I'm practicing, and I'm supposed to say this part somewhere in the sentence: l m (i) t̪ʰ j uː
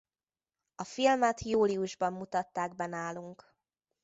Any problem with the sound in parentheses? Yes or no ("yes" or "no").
yes